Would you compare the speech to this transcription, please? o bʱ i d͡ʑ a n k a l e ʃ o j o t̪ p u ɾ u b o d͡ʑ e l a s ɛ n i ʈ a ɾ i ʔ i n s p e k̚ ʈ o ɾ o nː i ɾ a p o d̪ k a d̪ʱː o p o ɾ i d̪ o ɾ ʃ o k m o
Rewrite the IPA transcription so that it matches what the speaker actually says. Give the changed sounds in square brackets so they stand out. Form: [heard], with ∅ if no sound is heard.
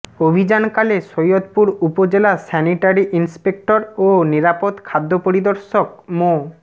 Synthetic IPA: o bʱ i d͡ʑ a n k a l e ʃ o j o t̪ p u ɾ u [p] o d͡ʑ e l a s ɛ n i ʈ a ɾ i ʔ i n s p e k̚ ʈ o ɾ o [n] i ɾ a p o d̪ [kʰ] a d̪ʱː o p o ɾ i d̪ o ɾ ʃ o k m o